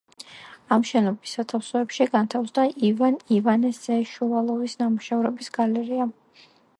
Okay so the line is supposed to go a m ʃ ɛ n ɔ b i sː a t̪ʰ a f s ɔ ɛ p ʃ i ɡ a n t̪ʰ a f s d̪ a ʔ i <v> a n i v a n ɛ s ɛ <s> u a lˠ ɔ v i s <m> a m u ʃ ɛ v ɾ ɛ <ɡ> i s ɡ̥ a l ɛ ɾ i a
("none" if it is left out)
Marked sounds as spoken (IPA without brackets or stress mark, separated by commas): v, ʃ, n, b